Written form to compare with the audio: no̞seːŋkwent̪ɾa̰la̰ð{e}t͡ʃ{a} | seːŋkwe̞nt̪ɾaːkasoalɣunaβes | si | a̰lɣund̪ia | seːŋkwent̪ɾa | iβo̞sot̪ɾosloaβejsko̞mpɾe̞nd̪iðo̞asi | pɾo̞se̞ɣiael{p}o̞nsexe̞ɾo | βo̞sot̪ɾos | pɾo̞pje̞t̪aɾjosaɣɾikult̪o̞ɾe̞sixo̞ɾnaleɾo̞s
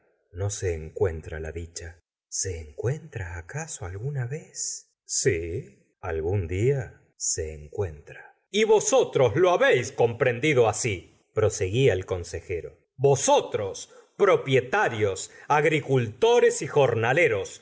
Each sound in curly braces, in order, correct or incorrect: incorrect: i, correct, incorrect: k

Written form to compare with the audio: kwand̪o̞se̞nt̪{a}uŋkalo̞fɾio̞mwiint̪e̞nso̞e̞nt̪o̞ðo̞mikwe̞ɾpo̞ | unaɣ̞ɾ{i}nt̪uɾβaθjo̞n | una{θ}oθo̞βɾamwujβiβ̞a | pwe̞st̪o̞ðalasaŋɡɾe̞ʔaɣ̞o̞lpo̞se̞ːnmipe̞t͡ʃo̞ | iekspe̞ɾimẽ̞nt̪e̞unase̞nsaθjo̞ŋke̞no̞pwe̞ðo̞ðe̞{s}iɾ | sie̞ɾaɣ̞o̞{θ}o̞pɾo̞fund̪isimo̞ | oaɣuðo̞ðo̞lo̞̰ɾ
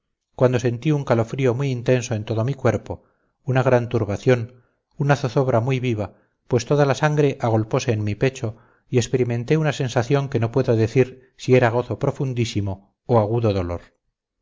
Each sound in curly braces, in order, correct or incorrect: incorrect: i, incorrect: a, correct, incorrect: θ, correct

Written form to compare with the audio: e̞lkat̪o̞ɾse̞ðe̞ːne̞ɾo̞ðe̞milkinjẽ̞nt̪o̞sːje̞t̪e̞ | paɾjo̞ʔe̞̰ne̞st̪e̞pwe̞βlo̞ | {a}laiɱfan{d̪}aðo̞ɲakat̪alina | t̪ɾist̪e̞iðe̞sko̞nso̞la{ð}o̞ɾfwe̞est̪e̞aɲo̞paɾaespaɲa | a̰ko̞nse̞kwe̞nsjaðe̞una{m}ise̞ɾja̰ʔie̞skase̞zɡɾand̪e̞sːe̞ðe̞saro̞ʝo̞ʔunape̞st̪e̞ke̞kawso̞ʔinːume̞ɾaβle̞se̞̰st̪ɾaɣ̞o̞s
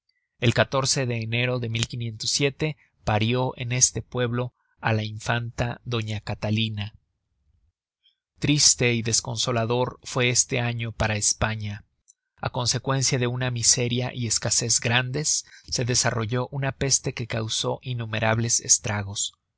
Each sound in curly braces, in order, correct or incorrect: correct, incorrect: t̪, correct, correct

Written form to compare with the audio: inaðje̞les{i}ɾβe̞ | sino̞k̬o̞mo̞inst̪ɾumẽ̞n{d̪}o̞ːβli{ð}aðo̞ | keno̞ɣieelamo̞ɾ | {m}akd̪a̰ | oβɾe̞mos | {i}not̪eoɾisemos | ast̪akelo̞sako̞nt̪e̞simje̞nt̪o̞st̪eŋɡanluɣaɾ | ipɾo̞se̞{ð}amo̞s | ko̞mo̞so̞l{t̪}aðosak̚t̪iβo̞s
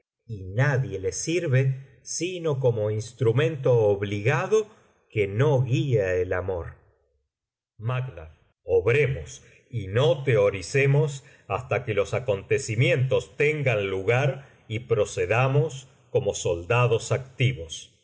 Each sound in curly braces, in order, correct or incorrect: correct, incorrect: t̪, incorrect: ɣ, correct, correct, correct, incorrect: d̪

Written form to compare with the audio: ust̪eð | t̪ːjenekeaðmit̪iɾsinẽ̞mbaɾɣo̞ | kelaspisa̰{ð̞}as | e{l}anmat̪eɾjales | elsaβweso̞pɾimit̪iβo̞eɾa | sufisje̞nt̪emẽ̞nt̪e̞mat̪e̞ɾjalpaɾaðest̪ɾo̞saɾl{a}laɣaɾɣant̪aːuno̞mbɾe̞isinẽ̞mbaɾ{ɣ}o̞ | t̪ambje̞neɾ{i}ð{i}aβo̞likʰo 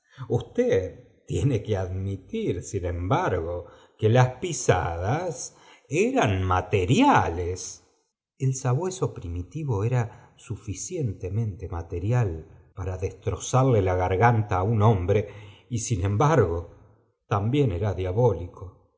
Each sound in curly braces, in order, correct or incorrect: correct, incorrect: ɾ, incorrect: e, correct, incorrect: a, incorrect: j

